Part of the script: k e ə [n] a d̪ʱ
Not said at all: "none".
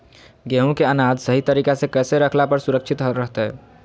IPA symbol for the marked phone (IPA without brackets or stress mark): n